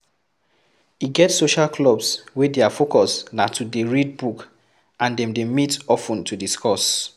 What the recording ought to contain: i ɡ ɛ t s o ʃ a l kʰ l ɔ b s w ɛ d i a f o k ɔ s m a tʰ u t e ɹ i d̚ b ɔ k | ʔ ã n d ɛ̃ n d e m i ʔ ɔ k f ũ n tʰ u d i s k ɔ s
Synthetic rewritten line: i ɡ ɛ t s o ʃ a l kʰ l ɔ b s w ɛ d e a f o k ɔ s n a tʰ u d e ɹ i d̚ b u k | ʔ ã n d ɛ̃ m d e m i t ɔ f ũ n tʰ u d i s k ɔ s